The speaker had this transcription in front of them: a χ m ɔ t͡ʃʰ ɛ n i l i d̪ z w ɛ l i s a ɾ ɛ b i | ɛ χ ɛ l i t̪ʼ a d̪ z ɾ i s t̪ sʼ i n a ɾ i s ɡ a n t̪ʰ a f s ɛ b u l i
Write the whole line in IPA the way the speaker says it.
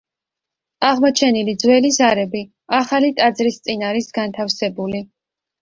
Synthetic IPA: a ʁ m ɔ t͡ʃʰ ɛ n i l i d̪ z w ɛ l i z a ɾ ɛ b i | a χ a l i t̪ʼ a d̪ z ɾ i s t̪ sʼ i n a ɾ i s ɡ a n t̪ʰ a f s ɛ b u l i